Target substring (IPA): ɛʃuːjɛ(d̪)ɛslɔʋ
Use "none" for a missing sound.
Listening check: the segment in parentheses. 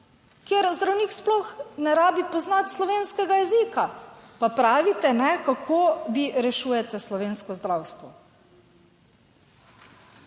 t̪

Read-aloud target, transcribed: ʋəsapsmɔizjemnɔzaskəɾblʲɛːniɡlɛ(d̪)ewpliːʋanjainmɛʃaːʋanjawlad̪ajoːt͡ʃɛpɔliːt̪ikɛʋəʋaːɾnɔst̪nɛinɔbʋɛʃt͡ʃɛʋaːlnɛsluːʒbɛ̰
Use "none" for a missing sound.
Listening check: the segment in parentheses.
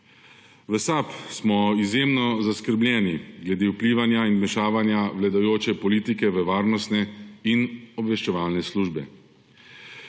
d̪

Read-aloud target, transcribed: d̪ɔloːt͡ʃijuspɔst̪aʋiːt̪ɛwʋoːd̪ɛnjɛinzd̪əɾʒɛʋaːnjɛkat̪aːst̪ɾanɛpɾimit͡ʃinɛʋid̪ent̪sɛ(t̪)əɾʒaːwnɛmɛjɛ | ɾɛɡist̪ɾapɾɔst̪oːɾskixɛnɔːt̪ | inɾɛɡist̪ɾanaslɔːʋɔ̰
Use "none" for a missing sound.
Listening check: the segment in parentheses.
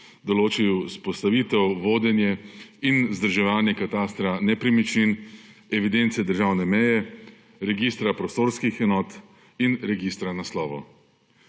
d̪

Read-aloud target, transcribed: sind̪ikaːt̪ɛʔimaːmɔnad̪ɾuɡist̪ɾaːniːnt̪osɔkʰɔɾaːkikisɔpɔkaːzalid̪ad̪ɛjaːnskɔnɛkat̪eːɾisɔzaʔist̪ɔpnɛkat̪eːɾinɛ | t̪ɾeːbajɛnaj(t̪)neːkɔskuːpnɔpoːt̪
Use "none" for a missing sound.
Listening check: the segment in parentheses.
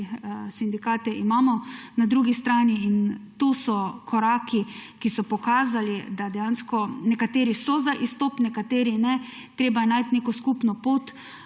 t̪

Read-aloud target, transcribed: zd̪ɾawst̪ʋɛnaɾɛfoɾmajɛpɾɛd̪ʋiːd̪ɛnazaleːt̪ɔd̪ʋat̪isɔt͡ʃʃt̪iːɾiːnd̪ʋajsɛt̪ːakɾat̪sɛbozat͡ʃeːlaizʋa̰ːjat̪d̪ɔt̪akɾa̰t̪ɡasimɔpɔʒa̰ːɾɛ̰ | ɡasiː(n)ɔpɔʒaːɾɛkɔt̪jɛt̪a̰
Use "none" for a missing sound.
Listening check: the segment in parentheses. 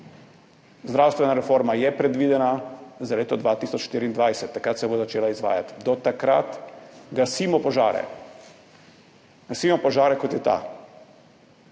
m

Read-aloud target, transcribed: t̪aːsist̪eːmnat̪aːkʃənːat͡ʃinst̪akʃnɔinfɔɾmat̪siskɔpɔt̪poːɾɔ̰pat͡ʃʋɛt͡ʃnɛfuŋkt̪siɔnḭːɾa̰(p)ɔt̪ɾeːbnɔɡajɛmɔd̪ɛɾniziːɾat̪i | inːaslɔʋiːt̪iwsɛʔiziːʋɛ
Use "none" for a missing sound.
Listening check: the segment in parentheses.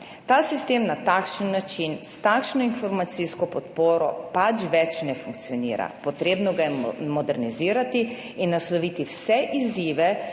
p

